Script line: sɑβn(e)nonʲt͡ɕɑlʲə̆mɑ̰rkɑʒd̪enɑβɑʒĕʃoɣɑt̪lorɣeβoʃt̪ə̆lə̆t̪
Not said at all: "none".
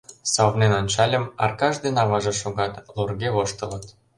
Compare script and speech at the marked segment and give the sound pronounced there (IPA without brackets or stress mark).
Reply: e